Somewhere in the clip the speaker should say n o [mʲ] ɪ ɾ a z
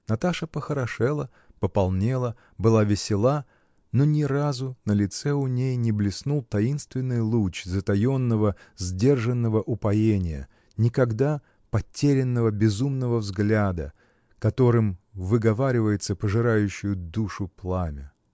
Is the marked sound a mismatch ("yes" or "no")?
yes